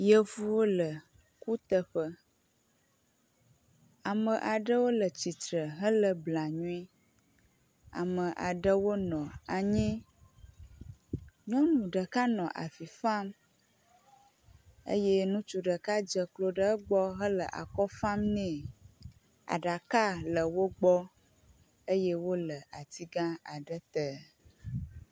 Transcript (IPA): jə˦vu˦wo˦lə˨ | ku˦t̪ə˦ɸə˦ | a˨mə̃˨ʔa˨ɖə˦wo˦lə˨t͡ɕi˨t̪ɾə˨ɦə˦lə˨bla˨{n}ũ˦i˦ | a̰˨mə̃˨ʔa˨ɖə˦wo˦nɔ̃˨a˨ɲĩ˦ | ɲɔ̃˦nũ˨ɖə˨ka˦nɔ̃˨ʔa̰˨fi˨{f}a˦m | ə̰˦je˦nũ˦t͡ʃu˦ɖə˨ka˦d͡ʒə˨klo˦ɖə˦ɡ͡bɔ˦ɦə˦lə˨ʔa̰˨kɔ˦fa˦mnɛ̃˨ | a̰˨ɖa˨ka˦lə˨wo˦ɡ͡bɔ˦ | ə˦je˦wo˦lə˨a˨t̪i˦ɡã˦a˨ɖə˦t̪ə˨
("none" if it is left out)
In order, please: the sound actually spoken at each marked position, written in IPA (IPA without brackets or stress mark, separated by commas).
ɲ, f